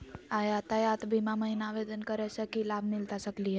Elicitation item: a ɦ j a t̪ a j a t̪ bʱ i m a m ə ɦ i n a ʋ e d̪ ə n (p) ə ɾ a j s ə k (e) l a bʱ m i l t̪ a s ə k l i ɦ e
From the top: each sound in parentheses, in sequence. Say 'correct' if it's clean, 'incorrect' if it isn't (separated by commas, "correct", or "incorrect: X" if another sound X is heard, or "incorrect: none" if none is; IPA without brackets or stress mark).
incorrect: k, incorrect: i